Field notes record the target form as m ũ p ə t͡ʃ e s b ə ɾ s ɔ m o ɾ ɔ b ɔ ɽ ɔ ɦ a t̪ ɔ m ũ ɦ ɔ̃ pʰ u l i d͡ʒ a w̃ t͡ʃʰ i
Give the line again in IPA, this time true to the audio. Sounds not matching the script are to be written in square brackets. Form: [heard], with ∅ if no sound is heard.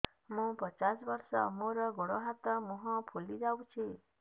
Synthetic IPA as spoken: m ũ p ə t͡ʃ [a] s b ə ɾ s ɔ m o ɾ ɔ [ɡ] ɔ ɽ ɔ ɦ a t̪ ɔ m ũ ɦ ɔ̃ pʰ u l i d͡ʒ a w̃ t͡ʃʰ i